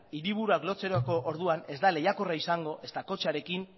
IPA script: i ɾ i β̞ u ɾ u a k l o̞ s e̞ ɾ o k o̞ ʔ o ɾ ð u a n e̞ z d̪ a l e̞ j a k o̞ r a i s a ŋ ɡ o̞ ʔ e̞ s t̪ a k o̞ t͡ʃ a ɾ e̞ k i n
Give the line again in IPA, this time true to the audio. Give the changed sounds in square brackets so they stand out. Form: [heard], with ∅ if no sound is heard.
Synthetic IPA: i ɾ i β̞ u ɾ u a k l o̞ [t͡s] e̞ ɾ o k o̞ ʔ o ɾ ð u a n e̞ z d̪ a l e̞ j a k o̞ r a i s a ŋ ɡ o̞ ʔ e̞ s t̪ a k o̞ t͡ʃ a ɾ e̞ k i n